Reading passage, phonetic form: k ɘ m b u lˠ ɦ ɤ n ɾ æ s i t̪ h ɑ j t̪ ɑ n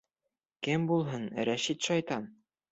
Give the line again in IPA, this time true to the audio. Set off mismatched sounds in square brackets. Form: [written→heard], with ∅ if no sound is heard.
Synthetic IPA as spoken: k ɘ m b u lˠ ɦ ɤ n ɾ æ [s→ʃ] i t̪ [h→ʃ] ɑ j t̪ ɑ n

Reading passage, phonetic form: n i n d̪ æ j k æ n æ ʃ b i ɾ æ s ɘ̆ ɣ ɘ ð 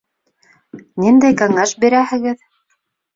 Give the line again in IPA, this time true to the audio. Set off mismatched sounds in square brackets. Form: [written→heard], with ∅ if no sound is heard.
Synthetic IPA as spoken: n i n d̪ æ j k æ [n→ŋ] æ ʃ b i ɾ æ [s→h] ɘ̆ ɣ ɘ ð

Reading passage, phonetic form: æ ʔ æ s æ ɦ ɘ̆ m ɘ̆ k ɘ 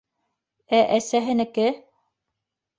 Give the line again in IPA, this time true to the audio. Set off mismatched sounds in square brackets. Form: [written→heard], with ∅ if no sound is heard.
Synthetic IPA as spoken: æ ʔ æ s æ ɦ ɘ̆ [m→n] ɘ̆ k ɘ

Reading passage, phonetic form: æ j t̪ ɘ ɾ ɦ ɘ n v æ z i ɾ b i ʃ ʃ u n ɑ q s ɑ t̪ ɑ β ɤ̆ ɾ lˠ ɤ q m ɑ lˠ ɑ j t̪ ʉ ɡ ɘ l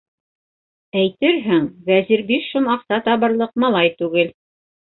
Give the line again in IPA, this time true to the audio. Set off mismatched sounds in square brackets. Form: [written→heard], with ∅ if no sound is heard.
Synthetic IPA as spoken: æ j t̪ ɘ ɾ ɦ ɘ [n→ŋ] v æ z i ɾ b i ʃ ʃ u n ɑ q s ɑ t̪ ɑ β ɤ̆ ɾ lˠ ɤ q m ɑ lˠ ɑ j t̪ ʉ ɡ ɘ l

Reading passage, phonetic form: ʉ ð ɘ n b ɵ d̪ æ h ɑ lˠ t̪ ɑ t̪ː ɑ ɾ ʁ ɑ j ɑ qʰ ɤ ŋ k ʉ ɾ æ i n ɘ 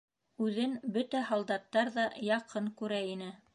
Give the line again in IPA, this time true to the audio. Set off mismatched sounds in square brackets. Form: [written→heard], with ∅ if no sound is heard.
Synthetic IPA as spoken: ʉ ð ɘ n b ɵ [d̪→t̪] æ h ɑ lˠ [t̪→d̪] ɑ t̪ː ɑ ɾ [ʁ→ð] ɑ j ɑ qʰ ɤ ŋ k ʉ ɾ æ i n ɘ

